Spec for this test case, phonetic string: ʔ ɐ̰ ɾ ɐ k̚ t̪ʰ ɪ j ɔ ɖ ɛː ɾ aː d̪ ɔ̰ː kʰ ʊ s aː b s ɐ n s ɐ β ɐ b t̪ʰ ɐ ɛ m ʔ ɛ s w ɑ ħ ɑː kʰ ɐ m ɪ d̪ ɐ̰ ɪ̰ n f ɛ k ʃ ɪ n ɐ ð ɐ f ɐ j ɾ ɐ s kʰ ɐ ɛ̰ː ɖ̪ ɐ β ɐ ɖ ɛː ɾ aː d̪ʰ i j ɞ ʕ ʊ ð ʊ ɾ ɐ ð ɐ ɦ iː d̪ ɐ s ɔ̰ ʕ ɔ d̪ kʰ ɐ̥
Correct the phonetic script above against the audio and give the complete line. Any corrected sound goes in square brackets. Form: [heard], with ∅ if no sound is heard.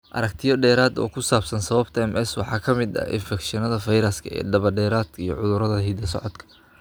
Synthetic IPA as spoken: ʔ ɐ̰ ɾ ɐ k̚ t̪ʰ ɪ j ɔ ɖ ɛː ɾ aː d̪ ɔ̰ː kʰ ʊ s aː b s ɐ n s ɐ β ɐ b t̪ʰ ɐ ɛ m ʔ ɛ s w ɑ ħ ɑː kʰ ɐ m ɪ d̪ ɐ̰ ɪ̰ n f ɛ k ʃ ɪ n ɐ ð ɐ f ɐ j ɾ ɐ s kʰ ɐ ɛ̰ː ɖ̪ ɐ β ɐ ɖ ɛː ɾ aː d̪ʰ i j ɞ ʕ ʊ ð ʊ ɾ ɐ ð ɐ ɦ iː d̪ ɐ s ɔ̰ ʕ ɔ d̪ kʰ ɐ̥